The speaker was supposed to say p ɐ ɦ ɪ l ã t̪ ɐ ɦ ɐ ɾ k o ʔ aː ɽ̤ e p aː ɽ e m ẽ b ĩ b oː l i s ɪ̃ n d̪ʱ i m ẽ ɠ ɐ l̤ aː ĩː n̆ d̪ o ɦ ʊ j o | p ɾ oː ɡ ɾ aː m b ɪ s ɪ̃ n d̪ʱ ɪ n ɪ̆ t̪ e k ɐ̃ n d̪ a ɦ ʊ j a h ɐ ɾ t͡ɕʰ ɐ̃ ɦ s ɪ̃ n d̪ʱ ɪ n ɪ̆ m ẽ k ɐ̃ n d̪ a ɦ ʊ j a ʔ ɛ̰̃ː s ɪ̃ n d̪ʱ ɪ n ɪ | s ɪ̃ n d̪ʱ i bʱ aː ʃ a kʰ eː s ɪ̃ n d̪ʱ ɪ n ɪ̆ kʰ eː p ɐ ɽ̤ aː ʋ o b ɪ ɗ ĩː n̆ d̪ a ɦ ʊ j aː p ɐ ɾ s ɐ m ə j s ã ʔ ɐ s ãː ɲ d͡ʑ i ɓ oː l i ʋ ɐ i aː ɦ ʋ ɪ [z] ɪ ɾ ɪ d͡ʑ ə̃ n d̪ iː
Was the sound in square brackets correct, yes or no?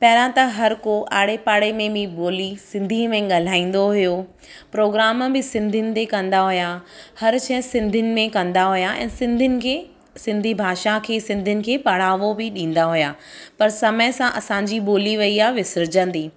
no